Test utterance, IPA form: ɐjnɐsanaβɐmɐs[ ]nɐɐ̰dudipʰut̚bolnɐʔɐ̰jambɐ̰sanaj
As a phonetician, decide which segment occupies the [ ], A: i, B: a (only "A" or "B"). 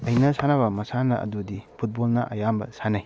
B